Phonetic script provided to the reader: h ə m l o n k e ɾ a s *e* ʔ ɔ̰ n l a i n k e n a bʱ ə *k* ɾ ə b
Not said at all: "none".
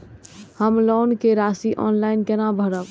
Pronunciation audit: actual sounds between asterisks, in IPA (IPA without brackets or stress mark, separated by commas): i, none